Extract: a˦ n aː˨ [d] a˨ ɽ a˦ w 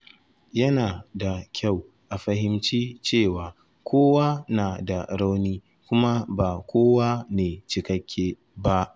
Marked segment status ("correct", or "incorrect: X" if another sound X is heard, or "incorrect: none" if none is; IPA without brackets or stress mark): correct